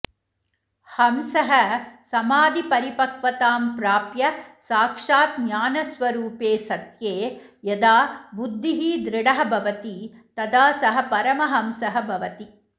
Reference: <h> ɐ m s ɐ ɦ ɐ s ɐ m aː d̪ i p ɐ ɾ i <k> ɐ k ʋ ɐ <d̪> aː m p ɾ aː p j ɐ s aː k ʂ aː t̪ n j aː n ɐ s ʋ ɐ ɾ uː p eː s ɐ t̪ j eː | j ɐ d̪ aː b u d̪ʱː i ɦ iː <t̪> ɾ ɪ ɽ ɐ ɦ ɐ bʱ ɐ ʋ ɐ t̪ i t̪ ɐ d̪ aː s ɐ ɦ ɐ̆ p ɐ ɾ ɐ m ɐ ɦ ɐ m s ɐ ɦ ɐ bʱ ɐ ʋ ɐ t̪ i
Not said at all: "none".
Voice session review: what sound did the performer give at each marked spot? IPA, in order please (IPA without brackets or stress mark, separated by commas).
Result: h, p, t̪, d̪